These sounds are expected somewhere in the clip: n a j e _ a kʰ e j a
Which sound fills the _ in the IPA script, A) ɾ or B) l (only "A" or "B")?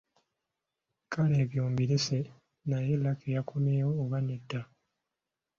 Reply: B